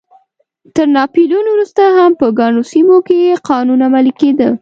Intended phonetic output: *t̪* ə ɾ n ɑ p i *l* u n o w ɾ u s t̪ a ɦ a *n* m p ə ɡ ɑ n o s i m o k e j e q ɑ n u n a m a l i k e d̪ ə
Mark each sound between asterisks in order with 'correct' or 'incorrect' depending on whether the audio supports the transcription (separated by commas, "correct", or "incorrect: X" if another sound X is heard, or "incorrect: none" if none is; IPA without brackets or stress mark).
correct, correct, incorrect: none